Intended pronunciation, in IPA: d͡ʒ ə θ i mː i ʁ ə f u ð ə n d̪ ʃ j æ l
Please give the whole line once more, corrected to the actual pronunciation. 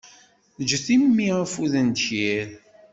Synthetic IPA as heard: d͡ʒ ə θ i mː i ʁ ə f u ð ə n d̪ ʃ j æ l